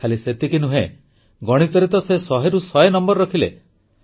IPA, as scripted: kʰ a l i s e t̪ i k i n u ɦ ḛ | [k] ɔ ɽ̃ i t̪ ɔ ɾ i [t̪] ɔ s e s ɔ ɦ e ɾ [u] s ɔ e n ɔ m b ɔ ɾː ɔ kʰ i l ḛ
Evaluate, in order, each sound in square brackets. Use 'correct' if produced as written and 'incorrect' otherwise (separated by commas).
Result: incorrect, correct, correct